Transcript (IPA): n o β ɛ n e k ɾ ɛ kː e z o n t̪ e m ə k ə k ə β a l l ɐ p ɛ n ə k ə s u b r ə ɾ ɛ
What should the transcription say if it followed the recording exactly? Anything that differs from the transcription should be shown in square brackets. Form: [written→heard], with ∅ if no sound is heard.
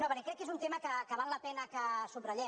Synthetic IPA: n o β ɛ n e k ɾ ɛ kː e z [o→u] n t̪ e m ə k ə k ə β a l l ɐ p ɛ n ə k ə s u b r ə [ɾ→ʎ] ɛ